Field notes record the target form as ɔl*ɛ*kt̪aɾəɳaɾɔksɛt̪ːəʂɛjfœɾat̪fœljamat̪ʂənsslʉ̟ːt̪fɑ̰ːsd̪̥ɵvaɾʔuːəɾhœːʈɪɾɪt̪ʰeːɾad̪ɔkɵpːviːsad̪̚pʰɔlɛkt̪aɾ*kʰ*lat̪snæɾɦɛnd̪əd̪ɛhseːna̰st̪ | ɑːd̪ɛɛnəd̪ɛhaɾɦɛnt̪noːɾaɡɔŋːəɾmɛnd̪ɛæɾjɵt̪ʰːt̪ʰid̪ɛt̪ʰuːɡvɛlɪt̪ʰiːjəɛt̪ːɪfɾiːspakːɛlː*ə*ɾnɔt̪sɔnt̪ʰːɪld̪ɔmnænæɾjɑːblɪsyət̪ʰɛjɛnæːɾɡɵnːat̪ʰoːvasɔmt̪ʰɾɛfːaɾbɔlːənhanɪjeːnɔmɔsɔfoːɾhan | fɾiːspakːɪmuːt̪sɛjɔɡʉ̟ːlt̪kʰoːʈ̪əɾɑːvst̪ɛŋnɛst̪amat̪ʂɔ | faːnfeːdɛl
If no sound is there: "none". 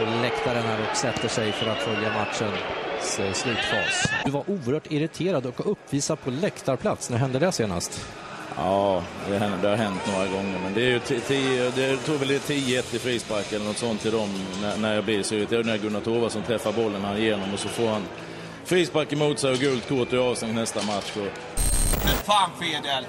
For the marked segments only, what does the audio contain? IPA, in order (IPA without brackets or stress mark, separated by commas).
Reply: ɛ, pʰ, ə